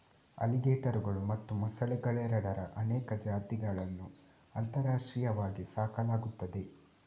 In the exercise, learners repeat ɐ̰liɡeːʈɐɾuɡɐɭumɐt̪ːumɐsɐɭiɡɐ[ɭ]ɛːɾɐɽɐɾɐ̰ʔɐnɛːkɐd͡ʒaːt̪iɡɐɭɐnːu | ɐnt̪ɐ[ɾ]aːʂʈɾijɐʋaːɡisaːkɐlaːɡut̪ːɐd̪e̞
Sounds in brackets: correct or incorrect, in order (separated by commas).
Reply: correct, correct